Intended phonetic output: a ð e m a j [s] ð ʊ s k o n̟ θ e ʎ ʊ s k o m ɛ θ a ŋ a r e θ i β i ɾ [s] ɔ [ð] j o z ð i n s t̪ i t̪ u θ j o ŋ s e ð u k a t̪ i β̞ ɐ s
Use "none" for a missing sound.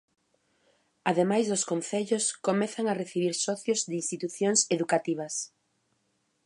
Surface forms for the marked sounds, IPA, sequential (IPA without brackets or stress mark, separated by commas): z, s, θ